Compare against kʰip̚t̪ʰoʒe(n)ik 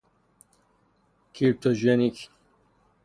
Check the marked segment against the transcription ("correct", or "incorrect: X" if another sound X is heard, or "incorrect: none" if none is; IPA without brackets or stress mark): correct